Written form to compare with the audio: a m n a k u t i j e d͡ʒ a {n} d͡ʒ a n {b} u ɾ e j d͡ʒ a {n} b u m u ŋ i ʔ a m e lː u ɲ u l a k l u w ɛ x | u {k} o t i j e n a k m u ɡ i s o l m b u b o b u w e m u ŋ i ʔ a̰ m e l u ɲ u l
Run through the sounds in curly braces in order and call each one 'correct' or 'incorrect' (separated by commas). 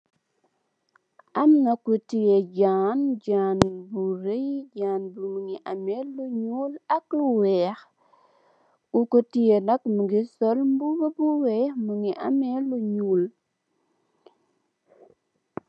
correct, correct, correct, correct